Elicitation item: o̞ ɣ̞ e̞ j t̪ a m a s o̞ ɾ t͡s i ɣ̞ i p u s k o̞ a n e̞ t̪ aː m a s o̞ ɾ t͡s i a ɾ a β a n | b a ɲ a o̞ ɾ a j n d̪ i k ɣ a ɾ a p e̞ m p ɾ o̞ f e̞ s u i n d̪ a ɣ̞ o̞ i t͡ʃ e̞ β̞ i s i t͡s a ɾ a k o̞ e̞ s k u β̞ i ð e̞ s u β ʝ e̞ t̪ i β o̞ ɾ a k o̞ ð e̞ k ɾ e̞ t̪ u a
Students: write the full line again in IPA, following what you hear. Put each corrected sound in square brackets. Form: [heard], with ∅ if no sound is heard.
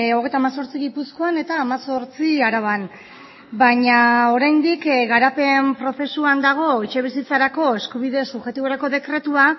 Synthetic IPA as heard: o̞ ɣ̞ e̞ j t̪ a m a s o̞ ɾ t͡s i ɣ̞ i p u s k o̞ a n e̞ t̪ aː m a s o̞ ɾ t͡s i a ɾ a β a n | b a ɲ a o̞ ɾ a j n d̪ i k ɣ a ɾ a p e̞ m p ɾ o̞ f e̞ s u [a] n d̪ a ɣ̞ o̞ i t͡ʃ e̞ β̞ i s i t͡s a ɾ a k o̞ e̞ s k u β̞ i ð e̞ s u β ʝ e̞ t̪ i β o̞ ɾ a k o̞ ð e̞ k ɾ e̞ t̪ u a